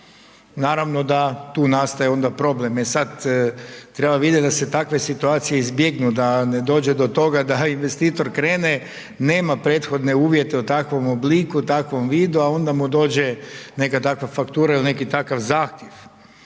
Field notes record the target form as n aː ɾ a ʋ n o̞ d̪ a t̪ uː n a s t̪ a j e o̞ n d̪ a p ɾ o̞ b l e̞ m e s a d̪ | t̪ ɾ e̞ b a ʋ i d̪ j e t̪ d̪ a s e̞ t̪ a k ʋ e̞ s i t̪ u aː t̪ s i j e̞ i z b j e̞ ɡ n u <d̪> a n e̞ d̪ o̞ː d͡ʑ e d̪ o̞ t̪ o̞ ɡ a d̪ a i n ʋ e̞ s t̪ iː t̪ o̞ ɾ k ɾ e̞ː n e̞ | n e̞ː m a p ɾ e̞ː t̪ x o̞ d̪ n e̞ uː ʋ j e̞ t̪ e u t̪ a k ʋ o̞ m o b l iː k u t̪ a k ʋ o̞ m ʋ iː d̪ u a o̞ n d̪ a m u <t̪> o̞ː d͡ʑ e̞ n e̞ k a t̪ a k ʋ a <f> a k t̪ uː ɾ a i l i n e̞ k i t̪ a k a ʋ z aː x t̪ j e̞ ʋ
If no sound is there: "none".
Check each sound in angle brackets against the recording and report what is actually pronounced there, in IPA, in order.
d̪, d̪, f

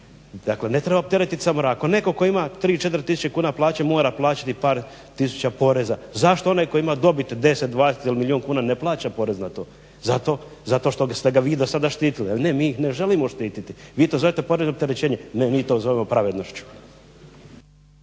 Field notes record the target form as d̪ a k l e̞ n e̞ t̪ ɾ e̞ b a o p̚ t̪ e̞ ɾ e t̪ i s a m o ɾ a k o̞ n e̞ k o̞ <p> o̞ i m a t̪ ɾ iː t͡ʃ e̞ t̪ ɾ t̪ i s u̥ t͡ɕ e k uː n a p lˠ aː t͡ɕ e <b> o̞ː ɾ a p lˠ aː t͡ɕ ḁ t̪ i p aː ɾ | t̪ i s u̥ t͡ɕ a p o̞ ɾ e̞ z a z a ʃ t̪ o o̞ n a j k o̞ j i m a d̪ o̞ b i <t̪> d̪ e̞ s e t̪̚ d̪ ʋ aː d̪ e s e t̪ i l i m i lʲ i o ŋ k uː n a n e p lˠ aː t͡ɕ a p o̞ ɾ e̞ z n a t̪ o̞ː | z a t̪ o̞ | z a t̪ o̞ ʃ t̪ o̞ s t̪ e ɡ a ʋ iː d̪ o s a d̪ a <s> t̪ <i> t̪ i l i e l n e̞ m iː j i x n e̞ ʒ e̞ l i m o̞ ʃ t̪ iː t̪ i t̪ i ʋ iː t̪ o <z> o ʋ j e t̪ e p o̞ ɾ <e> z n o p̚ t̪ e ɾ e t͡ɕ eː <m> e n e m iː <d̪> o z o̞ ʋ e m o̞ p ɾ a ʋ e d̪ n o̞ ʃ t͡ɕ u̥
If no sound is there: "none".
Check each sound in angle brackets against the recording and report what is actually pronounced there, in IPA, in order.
k, m, t̪, ʃ, iː, z, e, ɲ, t̪

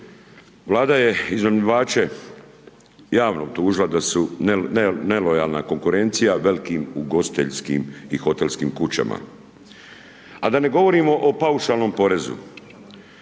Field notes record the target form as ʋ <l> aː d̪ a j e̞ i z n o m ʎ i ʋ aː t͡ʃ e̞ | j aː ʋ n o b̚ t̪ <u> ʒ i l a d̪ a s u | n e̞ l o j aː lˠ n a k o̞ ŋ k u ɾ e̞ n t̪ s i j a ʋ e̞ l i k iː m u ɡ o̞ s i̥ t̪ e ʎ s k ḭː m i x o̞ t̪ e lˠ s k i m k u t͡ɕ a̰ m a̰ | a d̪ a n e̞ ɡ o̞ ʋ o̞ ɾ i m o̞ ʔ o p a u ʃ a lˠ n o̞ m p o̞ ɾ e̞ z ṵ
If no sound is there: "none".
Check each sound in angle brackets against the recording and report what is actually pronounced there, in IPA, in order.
l, uː

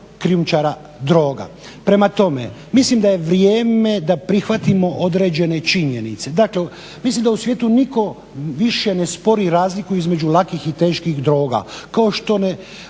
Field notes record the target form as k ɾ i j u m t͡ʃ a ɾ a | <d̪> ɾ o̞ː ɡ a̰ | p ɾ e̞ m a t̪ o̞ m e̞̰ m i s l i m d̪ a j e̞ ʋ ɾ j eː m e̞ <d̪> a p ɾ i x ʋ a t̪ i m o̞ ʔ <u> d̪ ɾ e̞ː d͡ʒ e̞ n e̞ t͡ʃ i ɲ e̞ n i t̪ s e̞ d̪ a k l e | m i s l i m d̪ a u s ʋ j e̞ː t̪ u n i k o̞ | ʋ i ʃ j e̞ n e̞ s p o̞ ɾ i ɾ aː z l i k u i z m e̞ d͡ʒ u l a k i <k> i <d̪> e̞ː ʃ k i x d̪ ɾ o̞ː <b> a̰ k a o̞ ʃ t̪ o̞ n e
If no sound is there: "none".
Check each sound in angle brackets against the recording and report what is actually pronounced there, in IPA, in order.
d̪, d̪, o, x, t̪, ɡ

